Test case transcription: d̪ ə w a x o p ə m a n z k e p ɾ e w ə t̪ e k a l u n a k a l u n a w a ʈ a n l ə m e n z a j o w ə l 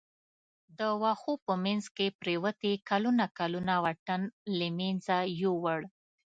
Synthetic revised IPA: d̪ ə w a x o p ə m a n z k e p ɾ e w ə t̪ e k a l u n a k a l u n a w a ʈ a n l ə m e n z a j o w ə ɽ